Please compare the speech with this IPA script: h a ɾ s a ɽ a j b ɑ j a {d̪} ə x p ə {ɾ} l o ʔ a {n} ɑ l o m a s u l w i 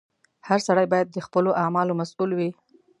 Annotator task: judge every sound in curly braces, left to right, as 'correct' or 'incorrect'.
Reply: incorrect, incorrect, incorrect

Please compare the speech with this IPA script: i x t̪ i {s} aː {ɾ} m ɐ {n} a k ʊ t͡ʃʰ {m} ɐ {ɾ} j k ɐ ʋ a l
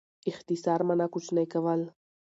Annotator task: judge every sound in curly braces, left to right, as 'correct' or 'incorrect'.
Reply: correct, correct, correct, incorrect, incorrect

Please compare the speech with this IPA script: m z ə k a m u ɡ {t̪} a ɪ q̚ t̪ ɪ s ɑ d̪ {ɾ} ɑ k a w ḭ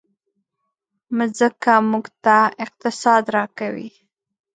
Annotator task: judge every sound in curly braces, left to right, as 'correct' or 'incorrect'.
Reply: correct, correct

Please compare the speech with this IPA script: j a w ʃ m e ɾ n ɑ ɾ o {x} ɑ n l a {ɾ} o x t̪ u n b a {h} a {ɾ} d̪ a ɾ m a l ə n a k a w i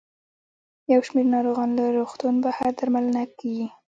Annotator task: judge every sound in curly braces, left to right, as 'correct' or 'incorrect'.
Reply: incorrect, correct, correct, correct

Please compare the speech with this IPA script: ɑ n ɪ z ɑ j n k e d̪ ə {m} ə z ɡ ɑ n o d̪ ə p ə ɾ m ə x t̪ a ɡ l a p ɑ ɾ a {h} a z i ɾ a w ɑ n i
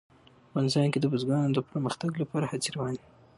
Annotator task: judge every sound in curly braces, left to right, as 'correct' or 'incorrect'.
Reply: incorrect, correct

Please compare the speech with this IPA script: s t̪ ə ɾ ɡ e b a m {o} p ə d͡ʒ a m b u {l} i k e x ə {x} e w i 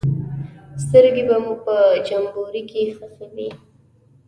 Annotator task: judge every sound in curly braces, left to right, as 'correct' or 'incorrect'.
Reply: incorrect, incorrect, correct

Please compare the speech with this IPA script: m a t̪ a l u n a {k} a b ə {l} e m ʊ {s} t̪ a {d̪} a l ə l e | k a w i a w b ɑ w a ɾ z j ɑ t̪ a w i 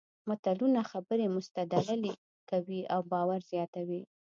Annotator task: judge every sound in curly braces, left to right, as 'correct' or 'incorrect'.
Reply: incorrect, incorrect, correct, correct

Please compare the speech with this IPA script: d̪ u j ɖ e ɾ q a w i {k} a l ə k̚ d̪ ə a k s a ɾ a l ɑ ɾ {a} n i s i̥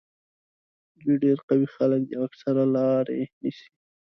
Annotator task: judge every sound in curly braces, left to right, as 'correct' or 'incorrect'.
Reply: incorrect, incorrect

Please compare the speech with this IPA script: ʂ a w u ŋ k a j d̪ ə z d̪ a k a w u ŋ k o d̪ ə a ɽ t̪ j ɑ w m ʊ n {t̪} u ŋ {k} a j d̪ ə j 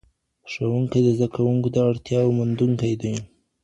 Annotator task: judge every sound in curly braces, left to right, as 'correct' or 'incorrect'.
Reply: incorrect, correct

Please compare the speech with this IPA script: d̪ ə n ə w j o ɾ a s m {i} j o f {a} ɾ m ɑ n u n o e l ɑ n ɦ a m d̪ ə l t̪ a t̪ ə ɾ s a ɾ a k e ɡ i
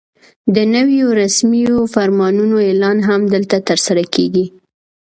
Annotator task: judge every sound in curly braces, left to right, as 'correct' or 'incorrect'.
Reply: correct, correct

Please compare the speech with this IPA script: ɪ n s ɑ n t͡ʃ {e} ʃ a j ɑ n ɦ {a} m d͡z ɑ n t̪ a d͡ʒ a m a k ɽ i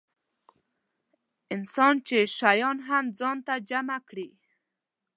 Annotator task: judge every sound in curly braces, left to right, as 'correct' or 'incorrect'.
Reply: correct, correct

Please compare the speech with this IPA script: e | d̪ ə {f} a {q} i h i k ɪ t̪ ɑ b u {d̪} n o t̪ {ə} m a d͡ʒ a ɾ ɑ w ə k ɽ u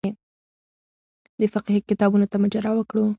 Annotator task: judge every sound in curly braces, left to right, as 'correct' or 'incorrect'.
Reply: correct, correct, incorrect, incorrect

